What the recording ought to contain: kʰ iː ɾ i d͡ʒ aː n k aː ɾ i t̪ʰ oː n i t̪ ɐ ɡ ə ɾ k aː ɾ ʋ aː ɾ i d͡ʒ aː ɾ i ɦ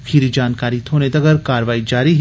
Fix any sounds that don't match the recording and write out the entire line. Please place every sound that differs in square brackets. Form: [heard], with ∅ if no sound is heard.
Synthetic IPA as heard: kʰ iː ɾ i d͡ʒ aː n k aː ɾ i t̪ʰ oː n [e] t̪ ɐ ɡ ə ɾ k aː ɾ ʋ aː [∅] i d͡ʒ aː ɾ i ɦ